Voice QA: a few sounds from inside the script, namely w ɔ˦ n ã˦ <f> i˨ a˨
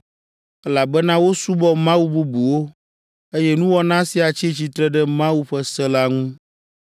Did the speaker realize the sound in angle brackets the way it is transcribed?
no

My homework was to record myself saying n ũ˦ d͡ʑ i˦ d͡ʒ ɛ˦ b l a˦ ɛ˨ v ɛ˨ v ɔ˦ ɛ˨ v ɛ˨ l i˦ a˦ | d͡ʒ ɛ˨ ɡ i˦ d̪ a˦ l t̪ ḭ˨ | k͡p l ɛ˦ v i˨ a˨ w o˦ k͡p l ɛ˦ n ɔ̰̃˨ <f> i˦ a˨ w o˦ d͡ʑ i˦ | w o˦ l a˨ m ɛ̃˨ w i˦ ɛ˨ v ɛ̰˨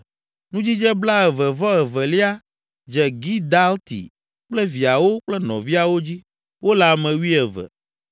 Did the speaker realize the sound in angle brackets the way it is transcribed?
no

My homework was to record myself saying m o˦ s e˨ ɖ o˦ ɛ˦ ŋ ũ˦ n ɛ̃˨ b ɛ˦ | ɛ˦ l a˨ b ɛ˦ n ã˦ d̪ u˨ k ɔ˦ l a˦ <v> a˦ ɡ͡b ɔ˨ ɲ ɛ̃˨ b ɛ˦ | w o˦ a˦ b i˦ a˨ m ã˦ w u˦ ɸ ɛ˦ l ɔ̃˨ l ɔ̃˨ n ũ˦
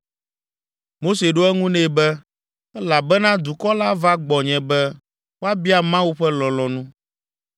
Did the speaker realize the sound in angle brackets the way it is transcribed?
yes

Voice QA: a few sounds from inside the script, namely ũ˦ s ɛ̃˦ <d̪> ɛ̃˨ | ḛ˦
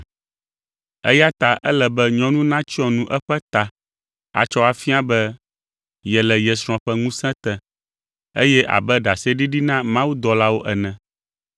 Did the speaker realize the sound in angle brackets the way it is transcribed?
no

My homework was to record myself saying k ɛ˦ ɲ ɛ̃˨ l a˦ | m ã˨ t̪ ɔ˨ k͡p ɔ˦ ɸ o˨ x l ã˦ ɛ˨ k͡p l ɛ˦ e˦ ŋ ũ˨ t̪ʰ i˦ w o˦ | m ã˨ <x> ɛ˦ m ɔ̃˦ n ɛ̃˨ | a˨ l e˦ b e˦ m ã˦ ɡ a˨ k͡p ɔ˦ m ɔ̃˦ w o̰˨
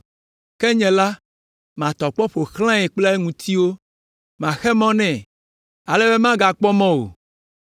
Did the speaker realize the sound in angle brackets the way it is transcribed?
yes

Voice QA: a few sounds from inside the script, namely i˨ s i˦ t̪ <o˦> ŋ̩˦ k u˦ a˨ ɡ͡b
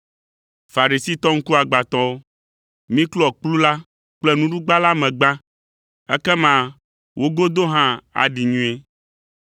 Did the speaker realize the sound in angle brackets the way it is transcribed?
no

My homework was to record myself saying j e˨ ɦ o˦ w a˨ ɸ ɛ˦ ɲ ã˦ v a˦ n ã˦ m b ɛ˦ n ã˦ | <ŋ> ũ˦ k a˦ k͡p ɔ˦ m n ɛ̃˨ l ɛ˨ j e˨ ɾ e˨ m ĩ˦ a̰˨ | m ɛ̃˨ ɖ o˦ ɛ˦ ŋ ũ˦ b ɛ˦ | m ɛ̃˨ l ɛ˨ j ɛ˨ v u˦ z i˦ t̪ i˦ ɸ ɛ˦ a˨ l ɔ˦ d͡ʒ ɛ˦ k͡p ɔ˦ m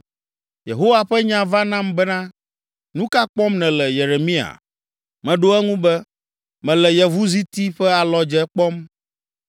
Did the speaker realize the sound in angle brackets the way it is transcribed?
no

